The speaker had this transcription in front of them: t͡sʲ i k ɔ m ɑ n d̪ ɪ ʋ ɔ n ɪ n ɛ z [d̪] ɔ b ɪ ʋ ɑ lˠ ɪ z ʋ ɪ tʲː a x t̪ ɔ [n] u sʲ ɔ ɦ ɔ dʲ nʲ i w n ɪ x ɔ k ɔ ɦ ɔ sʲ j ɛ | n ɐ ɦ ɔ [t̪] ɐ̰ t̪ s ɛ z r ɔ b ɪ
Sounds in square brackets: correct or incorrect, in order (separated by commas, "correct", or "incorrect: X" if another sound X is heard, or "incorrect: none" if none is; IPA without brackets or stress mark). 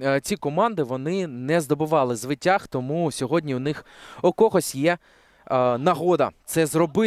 correct, incorrect: m, incorrect: d̪